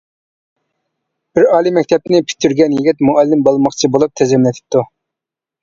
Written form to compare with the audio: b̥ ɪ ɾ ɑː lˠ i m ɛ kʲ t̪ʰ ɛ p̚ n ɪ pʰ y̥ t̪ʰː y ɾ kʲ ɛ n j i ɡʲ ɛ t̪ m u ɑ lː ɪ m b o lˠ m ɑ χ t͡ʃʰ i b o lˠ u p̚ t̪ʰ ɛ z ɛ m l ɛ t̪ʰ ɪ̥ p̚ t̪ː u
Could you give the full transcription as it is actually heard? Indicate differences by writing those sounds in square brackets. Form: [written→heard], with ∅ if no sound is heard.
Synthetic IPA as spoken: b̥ ɪ ɾ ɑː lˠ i m ɛ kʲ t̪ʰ ɛ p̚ n ɪ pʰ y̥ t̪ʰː y ɾ [kʲ→ɡʲ] ɛ n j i ɡʲ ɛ t̪ m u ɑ lː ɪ m b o lˠ m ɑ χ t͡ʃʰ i b o lˠ u p̚ t̪ʰ ɛ z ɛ m l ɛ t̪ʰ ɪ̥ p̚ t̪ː u